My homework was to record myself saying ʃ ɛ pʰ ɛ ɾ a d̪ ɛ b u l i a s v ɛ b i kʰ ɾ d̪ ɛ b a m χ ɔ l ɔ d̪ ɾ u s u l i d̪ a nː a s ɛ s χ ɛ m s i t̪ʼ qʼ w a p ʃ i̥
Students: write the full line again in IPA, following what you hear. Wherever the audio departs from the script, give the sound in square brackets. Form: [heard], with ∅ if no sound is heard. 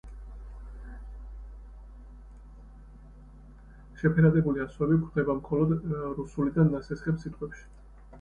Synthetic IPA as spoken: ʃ ɛ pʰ ɛ ɾ a d̪ ɛ b u l i a s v ɛ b i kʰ ɾ d̪ ɛ b a m χ ɔ l ɔ d̪ ɾ u s u l i d̪ a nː a s ɛ s χ ɛ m s i t̪ʼ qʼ w [ɛ] p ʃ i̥